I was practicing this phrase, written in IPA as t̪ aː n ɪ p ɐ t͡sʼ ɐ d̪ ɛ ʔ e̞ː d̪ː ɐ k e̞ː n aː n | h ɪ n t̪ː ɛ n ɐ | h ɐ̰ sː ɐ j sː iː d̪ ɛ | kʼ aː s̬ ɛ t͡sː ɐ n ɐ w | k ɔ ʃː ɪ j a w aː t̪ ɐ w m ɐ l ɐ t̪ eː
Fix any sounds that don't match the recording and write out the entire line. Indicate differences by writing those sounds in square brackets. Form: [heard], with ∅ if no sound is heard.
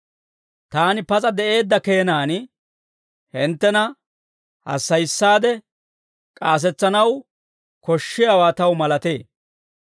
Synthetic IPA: t̪ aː n ɪ p ɐ t͡sʼ ɐ d̪ ɛ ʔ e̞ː d̪ː ɐ k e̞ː n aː n | h ɪ n t̪ː ɛ n ɐ | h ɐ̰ sː ɐ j sː [aː] d̪ ɛ | kʼ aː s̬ ɛ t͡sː ɐ n ɐ w | k ɔ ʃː ɪ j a w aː t̪ ɐ w m ɐ l ɐ t̪ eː